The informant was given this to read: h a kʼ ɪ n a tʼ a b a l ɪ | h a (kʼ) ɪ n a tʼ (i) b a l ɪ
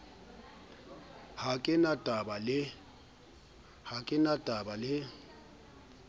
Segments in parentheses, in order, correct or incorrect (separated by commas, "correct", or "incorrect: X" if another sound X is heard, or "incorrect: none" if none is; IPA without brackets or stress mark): correct, incorrect: a